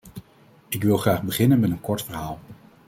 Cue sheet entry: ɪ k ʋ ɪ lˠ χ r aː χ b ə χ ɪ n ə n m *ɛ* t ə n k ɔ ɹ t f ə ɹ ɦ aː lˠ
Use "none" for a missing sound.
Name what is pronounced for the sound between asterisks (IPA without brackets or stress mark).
ɛ